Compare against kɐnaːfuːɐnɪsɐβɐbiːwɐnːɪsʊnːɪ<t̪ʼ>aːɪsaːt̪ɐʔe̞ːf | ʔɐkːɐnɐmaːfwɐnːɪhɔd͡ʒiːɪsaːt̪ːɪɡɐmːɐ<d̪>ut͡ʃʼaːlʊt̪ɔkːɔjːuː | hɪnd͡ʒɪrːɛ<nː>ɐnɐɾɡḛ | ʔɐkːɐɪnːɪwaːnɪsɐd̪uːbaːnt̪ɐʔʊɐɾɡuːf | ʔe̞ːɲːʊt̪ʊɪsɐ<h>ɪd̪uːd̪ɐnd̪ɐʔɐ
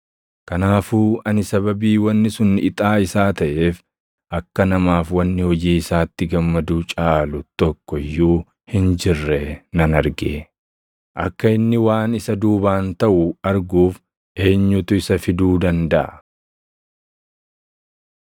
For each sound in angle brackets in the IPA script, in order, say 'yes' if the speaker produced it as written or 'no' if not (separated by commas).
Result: yes, yes, no, no